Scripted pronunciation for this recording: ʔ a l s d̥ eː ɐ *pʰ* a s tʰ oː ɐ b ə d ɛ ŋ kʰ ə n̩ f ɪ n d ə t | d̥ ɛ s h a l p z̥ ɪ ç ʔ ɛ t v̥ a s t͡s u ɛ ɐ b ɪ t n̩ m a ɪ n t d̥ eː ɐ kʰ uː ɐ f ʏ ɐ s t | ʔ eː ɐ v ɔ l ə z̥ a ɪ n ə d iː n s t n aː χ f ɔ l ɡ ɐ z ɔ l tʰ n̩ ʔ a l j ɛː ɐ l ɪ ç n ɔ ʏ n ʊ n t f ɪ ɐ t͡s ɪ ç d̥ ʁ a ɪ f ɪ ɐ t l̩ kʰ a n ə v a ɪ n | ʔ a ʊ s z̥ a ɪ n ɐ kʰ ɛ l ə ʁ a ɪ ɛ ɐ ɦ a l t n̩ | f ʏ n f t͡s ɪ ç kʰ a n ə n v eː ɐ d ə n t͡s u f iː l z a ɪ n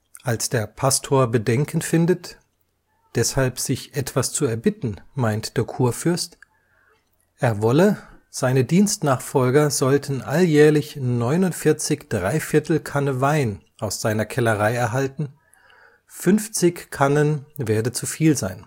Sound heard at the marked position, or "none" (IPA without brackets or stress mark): pʰ